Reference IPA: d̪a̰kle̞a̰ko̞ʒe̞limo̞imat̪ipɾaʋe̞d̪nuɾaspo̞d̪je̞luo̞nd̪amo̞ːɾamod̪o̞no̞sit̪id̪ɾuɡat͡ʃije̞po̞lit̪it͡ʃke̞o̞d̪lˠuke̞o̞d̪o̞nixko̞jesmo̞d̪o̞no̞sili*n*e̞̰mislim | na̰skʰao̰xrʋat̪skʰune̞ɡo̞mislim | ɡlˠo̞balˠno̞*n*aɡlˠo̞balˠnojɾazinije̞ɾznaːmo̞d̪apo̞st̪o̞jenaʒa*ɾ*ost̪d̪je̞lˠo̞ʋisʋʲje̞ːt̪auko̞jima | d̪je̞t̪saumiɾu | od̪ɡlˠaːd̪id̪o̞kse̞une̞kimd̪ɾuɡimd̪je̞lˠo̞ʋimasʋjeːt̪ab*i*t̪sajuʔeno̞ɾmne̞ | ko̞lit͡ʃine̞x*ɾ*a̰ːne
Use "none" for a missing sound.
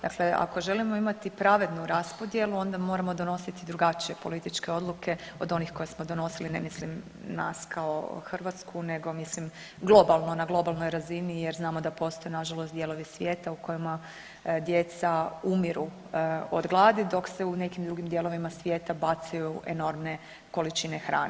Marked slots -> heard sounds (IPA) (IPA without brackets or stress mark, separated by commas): n, n, l, a, ɾ